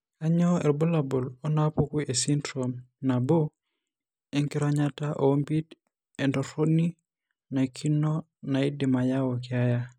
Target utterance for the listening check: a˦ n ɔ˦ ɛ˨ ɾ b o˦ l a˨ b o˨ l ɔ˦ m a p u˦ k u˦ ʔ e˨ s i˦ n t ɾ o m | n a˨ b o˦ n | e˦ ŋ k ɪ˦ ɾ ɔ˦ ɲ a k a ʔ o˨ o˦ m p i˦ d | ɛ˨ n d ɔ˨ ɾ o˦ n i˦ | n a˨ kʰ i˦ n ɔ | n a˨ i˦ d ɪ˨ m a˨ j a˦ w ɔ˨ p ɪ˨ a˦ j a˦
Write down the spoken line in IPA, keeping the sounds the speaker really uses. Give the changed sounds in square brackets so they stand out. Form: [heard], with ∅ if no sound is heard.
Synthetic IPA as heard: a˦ [ɲ] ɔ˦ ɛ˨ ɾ b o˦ l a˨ b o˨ l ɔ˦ [n] a p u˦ k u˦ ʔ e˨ s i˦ n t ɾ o m | n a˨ b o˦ [∅] | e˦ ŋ k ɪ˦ ɾ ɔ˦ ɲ a [t] a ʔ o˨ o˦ m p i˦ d | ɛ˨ n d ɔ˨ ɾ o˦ n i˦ | n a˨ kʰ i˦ n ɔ | n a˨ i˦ d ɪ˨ m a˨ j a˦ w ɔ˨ [k] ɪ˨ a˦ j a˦

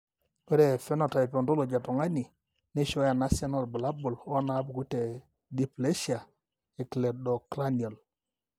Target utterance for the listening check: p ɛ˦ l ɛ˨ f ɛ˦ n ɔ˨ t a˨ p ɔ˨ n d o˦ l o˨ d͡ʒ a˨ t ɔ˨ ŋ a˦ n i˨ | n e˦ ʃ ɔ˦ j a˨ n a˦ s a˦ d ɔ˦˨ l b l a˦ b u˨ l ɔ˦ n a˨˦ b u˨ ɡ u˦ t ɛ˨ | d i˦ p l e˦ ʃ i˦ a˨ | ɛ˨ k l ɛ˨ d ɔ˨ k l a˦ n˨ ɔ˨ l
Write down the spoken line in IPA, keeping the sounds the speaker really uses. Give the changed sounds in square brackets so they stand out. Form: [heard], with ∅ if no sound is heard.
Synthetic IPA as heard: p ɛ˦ [ɾ] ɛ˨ f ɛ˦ n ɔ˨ t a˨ p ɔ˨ n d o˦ l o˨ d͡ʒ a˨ t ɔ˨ ŋ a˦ n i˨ | n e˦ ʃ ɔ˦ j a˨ n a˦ s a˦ [n] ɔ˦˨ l b l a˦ b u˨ l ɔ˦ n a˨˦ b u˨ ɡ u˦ t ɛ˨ | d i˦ p l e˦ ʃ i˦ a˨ | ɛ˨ k l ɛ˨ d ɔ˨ k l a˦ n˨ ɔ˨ l

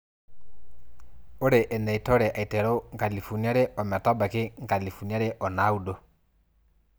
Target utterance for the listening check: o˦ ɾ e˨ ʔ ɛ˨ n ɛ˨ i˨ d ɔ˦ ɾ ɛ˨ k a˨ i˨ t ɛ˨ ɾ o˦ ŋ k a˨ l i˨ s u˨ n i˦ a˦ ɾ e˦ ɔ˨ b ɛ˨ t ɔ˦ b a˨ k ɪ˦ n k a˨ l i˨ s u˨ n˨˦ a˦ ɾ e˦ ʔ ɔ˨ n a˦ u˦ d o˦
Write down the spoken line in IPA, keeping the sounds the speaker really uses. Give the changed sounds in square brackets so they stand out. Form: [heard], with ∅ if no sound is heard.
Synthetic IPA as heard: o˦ ɾ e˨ ʔ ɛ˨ n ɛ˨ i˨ [t] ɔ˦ ɾ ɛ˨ [ʔ] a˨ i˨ t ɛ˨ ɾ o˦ ŋ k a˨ l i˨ [f] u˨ n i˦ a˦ ɾ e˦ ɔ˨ [m] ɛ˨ t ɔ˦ b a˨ k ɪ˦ [ŋ] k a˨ l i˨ [f] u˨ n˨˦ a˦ ɾ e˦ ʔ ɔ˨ n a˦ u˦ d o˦

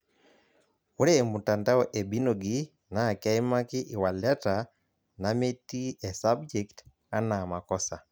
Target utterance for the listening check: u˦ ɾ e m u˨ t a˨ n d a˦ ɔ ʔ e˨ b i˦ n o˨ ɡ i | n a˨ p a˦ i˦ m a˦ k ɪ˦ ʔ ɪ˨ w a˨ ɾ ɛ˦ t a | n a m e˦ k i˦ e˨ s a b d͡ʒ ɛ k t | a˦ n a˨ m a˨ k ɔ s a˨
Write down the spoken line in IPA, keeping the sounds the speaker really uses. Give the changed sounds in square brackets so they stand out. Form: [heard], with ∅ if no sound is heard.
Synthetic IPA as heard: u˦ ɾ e m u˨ t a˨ n d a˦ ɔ ʔ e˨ b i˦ n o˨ ɡ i | n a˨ [k] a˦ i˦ m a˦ k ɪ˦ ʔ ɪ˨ w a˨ [l] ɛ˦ t a | n a m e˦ [t] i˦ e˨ s a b d͡ʒ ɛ k t | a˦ n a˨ m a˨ k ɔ s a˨

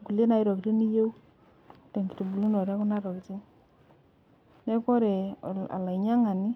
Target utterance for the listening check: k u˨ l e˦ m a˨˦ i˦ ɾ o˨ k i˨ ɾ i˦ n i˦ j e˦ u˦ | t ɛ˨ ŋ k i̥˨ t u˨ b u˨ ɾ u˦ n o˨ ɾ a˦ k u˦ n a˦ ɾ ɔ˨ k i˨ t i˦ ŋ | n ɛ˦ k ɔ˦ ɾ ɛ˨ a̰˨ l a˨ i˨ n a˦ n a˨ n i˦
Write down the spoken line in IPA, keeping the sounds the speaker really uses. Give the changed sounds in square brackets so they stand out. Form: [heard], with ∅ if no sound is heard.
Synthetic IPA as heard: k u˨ l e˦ [n] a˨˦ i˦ ɾ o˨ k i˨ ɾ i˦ n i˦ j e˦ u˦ | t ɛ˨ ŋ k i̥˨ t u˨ b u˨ [l] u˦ n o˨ ɾ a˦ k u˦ n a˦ ɾ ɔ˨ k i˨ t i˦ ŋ | n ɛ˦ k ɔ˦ ɾ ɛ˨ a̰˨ l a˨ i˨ [ɲ] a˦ [ŋ] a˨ n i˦

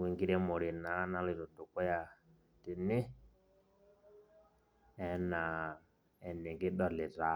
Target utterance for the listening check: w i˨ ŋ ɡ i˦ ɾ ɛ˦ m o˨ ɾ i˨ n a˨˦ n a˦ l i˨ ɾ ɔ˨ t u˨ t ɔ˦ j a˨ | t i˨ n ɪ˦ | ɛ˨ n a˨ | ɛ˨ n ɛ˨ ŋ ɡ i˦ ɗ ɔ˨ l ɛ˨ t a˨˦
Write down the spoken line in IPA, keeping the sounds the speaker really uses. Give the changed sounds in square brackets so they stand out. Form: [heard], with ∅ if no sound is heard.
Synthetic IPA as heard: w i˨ ŋ ɡ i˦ ɾ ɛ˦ m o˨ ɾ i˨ n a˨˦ n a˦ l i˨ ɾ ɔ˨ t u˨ [k] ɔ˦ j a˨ | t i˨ n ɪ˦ | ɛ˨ n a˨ | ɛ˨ n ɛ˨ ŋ ɡ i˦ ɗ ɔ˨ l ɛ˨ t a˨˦

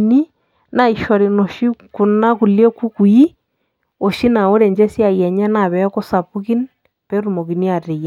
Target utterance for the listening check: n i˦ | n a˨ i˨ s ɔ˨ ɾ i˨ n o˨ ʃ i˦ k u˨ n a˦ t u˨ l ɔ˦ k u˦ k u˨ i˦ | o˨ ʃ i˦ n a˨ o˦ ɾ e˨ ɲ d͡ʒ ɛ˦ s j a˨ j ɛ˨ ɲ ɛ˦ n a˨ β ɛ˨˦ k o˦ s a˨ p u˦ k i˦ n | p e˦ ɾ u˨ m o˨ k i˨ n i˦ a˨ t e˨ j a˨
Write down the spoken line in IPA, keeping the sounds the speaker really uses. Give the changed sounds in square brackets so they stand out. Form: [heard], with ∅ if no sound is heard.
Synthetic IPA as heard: n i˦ | n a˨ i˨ [ʃ] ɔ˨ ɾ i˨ n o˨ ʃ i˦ k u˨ n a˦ [k] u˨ l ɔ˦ k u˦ k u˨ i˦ | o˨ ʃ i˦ n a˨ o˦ ɾ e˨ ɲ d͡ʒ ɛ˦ s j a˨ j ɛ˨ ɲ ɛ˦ n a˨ β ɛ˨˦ k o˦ s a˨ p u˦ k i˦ n | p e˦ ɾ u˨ m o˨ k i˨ n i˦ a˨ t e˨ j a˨

